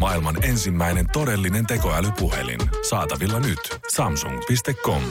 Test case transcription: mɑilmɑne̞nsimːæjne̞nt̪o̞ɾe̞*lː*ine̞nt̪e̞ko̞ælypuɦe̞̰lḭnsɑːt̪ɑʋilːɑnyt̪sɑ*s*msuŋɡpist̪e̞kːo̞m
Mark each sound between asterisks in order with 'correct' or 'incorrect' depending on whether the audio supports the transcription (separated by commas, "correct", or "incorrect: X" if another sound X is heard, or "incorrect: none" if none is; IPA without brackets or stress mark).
correct, incorrect: none